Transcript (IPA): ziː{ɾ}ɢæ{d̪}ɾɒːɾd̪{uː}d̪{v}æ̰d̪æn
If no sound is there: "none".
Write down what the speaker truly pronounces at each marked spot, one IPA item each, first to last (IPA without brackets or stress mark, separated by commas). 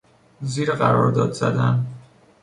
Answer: ɾ, none, ɒː, z